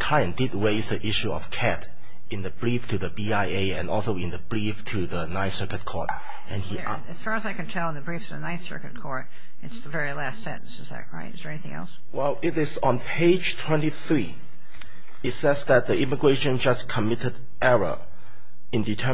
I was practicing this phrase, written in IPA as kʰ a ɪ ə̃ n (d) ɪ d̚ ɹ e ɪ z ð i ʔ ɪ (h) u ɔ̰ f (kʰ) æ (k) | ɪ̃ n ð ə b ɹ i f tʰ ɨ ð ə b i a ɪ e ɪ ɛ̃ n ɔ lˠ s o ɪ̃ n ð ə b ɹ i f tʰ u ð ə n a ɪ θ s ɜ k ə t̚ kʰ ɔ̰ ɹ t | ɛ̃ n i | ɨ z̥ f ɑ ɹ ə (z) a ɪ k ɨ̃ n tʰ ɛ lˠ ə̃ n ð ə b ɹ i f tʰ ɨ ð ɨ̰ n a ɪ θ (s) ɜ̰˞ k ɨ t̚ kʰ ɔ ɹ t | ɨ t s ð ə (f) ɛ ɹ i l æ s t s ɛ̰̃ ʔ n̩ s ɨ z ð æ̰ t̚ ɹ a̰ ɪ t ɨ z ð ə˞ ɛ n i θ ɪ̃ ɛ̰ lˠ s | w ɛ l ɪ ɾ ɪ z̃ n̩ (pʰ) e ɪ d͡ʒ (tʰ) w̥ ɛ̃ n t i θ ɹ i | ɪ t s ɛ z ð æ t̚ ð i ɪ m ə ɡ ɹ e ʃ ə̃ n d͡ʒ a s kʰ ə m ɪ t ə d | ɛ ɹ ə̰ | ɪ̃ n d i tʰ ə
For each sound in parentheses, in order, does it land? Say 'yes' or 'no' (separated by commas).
yes, no, yes, no, yes, yes, no, yes, yes